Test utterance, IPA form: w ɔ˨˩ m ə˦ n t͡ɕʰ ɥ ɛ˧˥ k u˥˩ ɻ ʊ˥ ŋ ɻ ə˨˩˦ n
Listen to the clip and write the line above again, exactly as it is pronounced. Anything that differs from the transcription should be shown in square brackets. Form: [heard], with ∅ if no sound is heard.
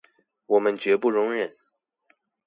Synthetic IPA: w ɔ˨˩ m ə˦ n [t͡ɕ] ɥ ɛ˧˥ [p] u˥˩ ɻ [ʊ˧˥] ŋ ɻ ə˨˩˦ n